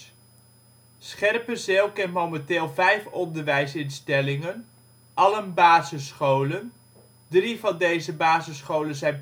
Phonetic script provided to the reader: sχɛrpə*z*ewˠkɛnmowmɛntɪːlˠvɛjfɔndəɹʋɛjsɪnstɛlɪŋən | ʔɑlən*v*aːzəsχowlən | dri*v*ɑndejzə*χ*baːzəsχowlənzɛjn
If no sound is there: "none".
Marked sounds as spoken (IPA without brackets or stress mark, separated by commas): z, b, v, none